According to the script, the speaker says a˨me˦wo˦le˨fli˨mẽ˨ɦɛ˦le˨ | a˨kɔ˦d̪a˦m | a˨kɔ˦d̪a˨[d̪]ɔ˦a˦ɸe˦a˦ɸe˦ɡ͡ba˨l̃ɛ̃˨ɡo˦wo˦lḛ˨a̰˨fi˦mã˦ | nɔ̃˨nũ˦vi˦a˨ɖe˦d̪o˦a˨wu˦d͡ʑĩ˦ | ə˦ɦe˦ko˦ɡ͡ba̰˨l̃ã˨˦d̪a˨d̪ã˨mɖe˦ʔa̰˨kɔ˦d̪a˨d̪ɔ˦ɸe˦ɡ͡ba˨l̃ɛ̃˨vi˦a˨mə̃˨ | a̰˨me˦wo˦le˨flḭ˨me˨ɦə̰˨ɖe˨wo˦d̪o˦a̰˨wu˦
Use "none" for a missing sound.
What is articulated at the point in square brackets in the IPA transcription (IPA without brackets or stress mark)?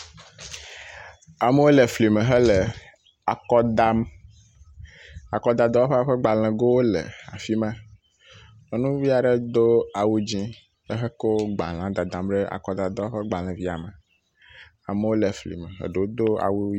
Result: d̪